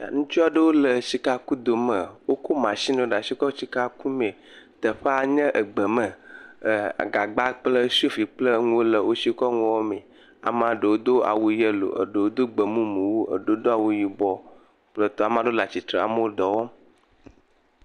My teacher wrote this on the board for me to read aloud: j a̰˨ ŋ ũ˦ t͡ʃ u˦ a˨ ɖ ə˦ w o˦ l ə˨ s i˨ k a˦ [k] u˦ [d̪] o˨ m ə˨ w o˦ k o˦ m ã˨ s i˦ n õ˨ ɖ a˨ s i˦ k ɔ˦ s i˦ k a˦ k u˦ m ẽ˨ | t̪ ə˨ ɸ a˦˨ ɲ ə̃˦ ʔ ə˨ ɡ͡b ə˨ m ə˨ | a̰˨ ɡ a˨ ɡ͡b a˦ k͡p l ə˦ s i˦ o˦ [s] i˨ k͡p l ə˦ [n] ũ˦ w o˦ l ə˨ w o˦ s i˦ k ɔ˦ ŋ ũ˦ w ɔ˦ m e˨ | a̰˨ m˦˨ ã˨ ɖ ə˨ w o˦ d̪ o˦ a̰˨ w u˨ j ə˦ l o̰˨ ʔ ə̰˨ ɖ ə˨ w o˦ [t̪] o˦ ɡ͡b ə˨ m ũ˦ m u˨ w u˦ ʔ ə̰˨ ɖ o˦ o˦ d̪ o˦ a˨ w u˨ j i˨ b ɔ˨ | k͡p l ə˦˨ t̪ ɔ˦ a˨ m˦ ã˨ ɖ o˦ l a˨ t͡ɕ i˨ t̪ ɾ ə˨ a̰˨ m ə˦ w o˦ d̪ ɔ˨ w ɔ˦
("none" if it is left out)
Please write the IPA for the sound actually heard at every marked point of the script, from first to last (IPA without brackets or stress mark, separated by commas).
k, d̪, f, ŋ, d̪